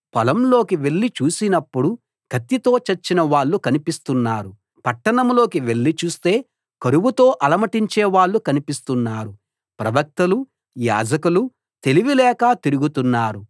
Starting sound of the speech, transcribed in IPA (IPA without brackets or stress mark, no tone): p